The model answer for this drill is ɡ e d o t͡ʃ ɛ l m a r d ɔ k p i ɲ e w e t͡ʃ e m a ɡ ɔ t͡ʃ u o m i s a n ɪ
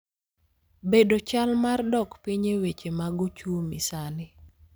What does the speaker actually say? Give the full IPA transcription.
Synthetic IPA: b e d o t͡ʃ a l m a r d ɔ k p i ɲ e w e t͡ʃ e m a ɡ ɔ t͡ʃ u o m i s a n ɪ